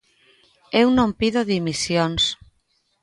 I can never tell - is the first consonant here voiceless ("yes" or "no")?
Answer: no